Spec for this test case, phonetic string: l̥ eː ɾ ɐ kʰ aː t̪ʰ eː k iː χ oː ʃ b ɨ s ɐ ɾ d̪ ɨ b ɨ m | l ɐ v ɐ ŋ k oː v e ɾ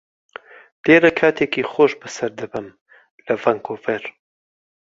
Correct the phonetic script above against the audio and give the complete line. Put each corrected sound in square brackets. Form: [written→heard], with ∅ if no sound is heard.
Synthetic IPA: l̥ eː ɾ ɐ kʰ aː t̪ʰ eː k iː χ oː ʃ b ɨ s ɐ ɾ d̪ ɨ b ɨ m | l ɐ v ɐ ŋ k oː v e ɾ